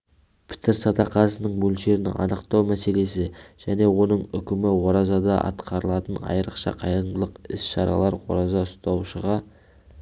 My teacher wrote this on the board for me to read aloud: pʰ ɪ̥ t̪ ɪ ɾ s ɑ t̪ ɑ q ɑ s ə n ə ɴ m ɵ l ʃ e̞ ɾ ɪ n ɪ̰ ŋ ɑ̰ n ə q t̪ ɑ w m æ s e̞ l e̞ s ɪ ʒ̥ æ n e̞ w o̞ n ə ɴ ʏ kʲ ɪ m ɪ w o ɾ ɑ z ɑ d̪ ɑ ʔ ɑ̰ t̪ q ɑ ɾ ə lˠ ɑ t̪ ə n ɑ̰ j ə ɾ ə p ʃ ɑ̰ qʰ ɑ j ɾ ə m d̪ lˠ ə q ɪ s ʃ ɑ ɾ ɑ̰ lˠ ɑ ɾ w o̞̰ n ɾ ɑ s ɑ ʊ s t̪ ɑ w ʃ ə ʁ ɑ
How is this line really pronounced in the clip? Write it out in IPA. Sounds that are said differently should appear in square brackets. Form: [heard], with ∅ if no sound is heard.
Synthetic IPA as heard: pʰ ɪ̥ t̪ ɪ ɾ s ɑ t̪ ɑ q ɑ s ə n ə ɴ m ɵ l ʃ e̞ ɾ ɪ n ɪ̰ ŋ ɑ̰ n ə q t̪ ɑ w m æ s e̞ l e̞ s ɪ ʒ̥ æ n e̞ w o̞ n ə ɴ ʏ kʲ ɪ m ɪ w o ɾ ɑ z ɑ d̪ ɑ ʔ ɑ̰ t̪ q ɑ ɾ ə lˠ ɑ t̪ ə n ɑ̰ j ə ɾ ə [q] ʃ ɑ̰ qʰ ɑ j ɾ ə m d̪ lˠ ə q ɪ s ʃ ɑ ɾ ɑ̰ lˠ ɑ ɾ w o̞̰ [∅] ɾ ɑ [z] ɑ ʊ s t̪ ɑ w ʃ ə ʁ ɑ